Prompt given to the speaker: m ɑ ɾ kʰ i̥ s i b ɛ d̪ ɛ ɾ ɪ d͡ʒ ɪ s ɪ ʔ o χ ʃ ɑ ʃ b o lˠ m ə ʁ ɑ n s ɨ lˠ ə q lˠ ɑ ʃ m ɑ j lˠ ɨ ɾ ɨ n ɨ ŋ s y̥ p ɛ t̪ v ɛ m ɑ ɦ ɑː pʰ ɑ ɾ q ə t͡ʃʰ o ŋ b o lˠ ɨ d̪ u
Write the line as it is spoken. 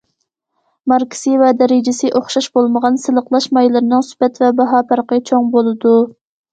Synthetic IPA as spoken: m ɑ ɾ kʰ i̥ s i v ɛ d̪ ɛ ɾ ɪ d͡ʒ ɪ s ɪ ʔ o χ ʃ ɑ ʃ b o lˠ m ə ʁ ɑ n s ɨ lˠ ə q lˠ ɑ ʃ m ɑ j lˠ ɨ ɾ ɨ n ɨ ŋ s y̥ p ɛ t̪ v ɛ b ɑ ɦ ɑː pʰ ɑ ɾ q ə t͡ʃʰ o ŋ b o lˠ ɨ d̪ u

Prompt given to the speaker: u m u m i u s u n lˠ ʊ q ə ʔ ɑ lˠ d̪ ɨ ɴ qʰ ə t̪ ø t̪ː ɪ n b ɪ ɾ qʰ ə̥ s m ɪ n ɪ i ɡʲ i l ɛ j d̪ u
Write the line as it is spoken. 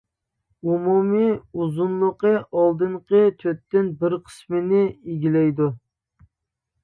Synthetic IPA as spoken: u m u m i u z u n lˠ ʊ q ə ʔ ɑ lˠ d̪ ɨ ɴ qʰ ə t̪ʰ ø t̪ː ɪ n b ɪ ɾ qʰ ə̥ s m ɪ n ɪ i ɡʲ i l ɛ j d̪ u

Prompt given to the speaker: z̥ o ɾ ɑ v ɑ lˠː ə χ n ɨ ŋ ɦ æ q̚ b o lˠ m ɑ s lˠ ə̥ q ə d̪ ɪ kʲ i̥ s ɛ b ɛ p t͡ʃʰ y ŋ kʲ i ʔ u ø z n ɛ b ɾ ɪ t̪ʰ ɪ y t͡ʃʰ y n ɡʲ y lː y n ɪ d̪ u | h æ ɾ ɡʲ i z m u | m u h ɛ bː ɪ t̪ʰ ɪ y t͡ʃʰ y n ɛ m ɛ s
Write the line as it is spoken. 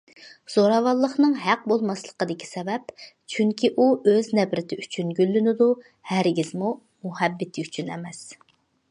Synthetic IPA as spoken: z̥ o ɾ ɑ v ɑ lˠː ə χ n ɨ ŋ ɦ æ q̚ b o lˠ m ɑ s lˠ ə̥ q ə d̪ ɪ kʲ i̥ s ɛ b ɛ p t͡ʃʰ y ŋ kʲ i ʔ u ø z n ɛ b ɾ ɪ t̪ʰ ɪ y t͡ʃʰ y n ɡʲ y lː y n ɪ d̪ u | h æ ɾ ɡʲ i z m u | m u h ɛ bː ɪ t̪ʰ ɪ y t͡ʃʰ y n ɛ m ɛ s

